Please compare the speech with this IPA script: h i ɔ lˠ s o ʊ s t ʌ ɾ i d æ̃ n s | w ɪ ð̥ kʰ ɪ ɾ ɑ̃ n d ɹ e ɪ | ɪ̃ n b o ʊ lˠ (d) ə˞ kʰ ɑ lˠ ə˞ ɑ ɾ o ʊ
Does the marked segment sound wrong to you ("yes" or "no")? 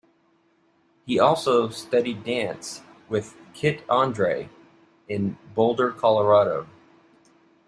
no